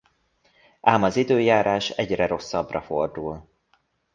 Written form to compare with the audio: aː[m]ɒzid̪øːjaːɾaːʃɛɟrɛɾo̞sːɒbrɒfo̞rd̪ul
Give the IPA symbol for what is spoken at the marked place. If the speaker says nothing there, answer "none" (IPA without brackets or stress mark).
m